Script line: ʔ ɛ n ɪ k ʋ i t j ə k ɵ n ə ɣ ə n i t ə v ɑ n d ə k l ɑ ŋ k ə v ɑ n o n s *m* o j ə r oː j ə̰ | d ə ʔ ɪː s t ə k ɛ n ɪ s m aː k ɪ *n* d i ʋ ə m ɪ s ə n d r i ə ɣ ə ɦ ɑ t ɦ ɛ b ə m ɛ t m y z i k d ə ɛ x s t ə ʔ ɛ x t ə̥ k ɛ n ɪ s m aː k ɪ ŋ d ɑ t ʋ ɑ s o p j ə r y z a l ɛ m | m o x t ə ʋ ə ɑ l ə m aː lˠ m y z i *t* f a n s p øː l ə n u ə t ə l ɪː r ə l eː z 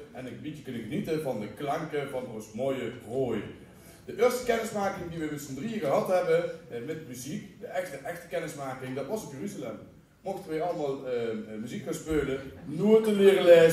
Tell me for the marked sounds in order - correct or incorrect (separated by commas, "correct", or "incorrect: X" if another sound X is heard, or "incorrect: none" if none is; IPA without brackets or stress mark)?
correct, incorrect: ŋ, incorrect: k